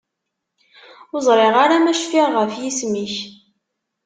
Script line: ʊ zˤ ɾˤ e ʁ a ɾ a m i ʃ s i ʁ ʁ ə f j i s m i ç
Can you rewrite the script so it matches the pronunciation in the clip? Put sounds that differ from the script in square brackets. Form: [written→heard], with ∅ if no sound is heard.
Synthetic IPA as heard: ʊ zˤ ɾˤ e ʁ a ɾ a m [i→æ] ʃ [s→f] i ʁ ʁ ə f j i s m i ç